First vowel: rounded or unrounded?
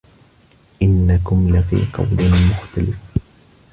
unrounded